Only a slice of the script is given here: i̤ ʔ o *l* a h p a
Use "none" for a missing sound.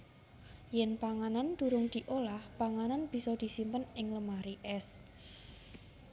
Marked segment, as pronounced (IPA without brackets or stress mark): l